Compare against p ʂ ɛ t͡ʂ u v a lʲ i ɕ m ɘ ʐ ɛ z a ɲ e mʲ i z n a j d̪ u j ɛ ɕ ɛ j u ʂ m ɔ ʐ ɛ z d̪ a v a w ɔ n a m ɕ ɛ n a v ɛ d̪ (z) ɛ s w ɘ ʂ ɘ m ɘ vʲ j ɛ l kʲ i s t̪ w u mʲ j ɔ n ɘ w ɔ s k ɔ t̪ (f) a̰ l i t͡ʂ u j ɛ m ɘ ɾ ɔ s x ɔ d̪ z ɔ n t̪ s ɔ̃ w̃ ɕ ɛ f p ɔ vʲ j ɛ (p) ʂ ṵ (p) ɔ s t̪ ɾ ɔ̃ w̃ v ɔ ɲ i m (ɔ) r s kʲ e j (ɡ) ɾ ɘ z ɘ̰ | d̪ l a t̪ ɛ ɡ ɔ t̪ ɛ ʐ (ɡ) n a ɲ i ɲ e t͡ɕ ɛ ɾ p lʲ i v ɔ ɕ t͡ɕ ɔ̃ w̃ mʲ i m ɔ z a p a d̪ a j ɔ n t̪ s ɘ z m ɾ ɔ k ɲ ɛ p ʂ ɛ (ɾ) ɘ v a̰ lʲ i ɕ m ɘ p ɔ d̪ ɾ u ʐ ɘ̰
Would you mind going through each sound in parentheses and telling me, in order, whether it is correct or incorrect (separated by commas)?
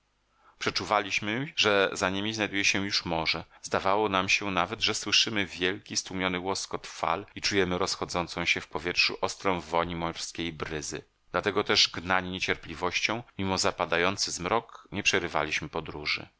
incorrect, correct, incorrect, incorrect, correct, incorrect, correct, correct